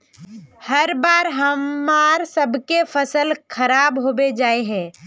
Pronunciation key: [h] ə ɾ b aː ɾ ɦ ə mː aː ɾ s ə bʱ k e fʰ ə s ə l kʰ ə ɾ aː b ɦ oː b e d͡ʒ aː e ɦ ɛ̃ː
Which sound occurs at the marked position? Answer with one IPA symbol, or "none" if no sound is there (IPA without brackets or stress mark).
h